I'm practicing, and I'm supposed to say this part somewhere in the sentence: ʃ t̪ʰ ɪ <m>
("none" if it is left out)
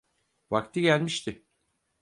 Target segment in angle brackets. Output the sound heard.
none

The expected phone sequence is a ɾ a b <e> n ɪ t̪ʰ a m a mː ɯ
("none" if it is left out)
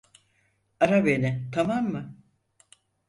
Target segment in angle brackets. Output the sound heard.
e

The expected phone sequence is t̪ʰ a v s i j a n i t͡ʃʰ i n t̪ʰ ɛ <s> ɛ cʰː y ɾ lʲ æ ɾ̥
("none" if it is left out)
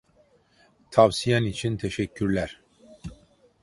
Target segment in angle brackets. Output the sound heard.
ʃ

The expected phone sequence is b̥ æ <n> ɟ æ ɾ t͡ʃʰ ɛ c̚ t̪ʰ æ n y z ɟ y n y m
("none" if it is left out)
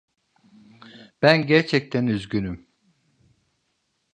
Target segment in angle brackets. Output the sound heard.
n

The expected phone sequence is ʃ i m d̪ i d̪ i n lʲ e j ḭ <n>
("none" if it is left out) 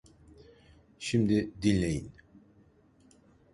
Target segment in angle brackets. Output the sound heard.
n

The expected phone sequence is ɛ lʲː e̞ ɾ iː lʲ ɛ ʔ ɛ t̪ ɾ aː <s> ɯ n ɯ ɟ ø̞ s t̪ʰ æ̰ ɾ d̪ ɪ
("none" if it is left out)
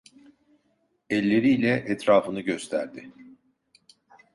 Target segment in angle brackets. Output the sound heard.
f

